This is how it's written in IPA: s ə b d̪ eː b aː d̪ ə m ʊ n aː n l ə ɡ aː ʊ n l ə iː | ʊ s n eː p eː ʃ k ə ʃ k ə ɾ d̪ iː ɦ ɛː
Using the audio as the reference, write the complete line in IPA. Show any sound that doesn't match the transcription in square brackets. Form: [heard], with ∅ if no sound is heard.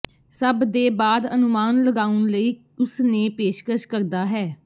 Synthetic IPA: s ə b d̪ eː b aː d̪ ə [n] ʊ [m] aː n l ə ɡ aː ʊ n l ə iː | ʊ s n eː p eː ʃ k ə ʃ k ə ɾ d̪ [aː] ɦ ɛː

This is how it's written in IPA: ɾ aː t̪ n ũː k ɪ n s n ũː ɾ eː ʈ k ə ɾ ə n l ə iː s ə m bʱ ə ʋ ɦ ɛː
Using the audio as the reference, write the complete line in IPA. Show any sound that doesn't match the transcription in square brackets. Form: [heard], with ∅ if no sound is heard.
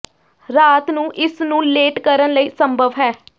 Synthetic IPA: ɾ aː t̪ n ũː [ʔ] ɪ [∅] s n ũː [l] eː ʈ k ə ɾ ə n l ə iː s ə m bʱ ə ʋ ɦ ɛː

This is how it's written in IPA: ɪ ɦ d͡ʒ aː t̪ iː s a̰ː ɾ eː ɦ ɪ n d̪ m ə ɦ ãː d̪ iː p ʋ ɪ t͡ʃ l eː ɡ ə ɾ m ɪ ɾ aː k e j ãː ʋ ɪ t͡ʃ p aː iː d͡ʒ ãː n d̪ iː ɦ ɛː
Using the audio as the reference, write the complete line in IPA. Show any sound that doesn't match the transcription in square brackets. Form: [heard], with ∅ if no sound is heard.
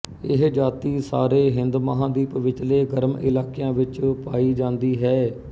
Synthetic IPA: ɪ ɦ d͡ʒ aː t̪ iː s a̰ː ɾ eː ɦ ɪ n d̪ m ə ɦ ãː d̪ iː p ʋ ɪ t͡ʃ l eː ɡ ə ɾ m ɪ [l] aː k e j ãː ʋ ɪ t͡ʃ p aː iː d͡ʒ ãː n d̪ iː ɦ ɛː

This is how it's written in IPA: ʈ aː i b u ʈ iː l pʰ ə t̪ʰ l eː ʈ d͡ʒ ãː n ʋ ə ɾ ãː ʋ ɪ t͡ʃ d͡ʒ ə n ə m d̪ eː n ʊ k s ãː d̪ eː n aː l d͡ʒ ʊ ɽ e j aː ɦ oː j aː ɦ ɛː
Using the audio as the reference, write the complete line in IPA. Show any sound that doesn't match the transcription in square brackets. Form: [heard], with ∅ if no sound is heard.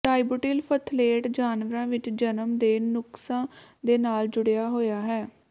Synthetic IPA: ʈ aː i b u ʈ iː l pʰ ə t̪ʰ l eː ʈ d͡ʒ [aː] n ʋ ə ɾ ãː ʋ ɪ t͡ʃ d͡ʒ ə n ə m d̪ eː n ʊ k s ãː d̪ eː n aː l d͡ʒ ʊ ɽ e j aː ɦ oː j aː ɦ ɛː

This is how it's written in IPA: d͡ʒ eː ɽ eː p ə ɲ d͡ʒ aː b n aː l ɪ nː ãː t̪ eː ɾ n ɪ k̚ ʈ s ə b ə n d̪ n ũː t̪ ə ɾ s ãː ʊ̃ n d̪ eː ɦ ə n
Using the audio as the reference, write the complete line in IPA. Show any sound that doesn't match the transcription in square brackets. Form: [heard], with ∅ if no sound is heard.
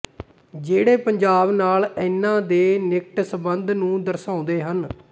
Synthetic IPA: d͡ʒ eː ɽ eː p ə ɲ d͡ʒ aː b n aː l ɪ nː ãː [d̪] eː [∅] n ɪ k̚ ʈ s ə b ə n d̪ n ũː [d̪] ə ɾ s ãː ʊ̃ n d̪ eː ɦ ə n

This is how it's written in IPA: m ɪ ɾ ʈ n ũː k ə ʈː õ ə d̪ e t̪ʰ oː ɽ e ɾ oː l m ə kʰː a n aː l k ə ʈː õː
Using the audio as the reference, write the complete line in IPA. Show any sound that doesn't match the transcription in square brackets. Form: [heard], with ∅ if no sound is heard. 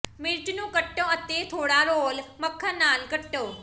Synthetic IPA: m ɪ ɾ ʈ n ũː k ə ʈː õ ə [t̪] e t̪ʰ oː ɽ [a] ɾ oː l m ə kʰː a n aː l k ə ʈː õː

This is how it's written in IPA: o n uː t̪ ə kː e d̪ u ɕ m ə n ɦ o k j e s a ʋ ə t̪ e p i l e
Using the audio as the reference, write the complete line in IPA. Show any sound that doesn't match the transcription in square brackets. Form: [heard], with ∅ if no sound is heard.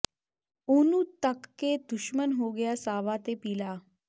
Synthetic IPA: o n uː t̪ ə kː e d̪ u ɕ m ə n ɦ o [ɡ] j [a] s a ʋ [a] t̪ e p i l [a]

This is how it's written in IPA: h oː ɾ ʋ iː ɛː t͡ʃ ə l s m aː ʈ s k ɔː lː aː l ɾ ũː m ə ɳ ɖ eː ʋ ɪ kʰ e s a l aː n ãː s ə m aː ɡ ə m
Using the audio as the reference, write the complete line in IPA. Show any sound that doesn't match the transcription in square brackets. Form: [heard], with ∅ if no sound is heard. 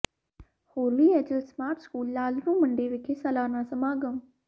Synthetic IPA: h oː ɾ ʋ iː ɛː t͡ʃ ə l s m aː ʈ s k [uː] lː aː l ɾ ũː m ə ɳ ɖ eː ʋ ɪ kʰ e s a l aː n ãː s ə m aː ɡ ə m

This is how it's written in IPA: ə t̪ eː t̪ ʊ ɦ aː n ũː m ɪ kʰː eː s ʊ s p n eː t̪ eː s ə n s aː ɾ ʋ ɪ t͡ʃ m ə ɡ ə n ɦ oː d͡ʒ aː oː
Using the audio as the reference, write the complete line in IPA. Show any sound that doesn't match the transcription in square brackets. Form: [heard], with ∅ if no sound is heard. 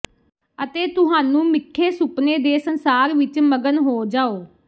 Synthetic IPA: ə t̪ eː t̪ ʊ ɦ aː n ũː m ɪ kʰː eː s ʊ [∅] p n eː [d̪] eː s ə n s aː ɾ ʋ ɪ t͡ʃ m ə ɡ ə n ɦ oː d͡ʒ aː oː

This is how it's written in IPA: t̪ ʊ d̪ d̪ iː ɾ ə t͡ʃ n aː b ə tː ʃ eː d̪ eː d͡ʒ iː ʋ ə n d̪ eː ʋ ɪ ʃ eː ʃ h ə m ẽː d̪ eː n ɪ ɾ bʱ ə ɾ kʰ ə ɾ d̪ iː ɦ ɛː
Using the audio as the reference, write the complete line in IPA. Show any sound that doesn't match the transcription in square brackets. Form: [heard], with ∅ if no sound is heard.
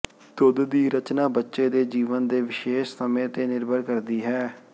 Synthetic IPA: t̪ ʊ d̪ d̪ iː ɾ ə t͡ʃ n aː b ə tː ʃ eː d̪ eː d͡ʒ iː ʋ ə n d̪ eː ʋ ɪ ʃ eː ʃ [s] ə m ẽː [t̪] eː n ɪ ɾ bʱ ə ɾ [k] ə ɾ d̪ iː ɦ ɛː

